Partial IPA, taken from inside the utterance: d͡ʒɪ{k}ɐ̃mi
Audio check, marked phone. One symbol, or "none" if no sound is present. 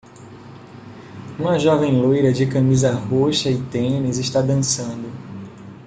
k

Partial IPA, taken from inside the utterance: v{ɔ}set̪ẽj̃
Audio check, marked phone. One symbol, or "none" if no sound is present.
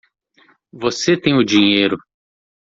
o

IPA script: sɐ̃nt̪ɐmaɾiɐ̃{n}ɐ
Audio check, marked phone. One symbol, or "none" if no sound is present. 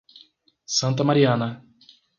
n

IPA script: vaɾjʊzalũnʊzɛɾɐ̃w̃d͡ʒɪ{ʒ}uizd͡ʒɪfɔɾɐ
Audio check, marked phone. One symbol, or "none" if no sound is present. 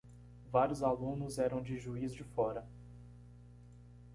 ʒ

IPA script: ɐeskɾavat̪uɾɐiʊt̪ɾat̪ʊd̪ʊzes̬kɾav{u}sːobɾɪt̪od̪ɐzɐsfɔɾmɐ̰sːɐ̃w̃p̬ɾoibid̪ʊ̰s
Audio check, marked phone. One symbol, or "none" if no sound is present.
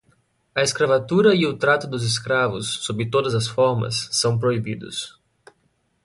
ʊ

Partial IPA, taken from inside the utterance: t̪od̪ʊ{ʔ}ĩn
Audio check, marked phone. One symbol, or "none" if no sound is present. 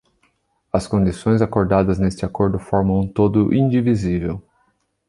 ʔ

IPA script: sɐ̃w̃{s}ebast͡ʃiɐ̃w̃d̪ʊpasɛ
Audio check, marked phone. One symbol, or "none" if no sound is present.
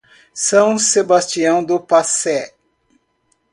s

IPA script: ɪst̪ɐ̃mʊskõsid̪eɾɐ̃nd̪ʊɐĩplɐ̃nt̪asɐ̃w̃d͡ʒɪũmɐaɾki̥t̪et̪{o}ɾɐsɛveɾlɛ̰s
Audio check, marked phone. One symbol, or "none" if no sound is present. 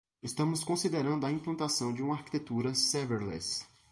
u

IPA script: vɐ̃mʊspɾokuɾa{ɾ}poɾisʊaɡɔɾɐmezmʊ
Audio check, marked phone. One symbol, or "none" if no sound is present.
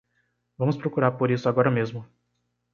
ɾ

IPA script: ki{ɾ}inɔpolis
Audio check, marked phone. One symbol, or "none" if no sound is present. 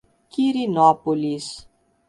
ɾ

